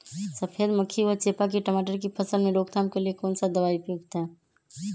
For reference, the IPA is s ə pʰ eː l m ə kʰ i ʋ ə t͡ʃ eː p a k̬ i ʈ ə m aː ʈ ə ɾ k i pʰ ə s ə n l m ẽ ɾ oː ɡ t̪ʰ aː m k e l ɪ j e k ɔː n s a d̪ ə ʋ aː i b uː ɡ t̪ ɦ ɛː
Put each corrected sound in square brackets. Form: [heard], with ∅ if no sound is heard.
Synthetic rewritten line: s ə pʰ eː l m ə kʰ i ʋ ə t͡ʃ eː p a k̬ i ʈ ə m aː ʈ ə ɾ k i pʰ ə s ə [∅] l m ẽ ɾ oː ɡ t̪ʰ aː m k e l [i] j e k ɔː n s a d̪ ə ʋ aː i [p] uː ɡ t̪ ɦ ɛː